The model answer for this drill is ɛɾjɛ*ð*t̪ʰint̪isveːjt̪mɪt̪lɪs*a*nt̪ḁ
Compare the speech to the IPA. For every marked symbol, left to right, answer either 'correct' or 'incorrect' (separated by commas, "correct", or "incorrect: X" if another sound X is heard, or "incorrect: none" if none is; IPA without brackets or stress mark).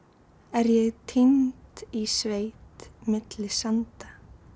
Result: incorrect: ɣ, correct